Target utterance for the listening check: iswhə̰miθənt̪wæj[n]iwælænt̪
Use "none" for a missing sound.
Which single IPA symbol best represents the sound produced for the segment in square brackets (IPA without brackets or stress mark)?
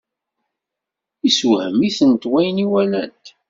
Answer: n